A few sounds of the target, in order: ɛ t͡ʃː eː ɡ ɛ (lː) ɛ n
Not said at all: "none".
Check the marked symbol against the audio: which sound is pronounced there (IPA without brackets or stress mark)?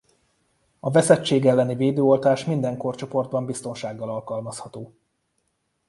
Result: lː